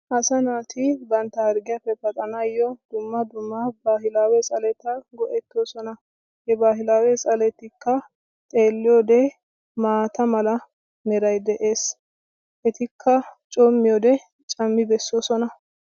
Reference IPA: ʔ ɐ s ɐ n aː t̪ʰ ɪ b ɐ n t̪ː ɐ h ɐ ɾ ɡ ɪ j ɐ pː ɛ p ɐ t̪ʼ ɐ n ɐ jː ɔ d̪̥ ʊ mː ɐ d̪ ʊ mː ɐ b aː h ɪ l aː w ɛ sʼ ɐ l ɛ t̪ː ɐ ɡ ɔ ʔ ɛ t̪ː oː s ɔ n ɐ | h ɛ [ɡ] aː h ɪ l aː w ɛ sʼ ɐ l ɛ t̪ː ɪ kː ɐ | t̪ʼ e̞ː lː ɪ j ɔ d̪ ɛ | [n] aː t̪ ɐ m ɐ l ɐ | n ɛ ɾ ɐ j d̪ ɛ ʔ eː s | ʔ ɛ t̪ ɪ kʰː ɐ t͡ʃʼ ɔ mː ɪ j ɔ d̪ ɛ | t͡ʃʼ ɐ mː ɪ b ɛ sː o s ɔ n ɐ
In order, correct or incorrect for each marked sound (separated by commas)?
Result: incorrect, incorrect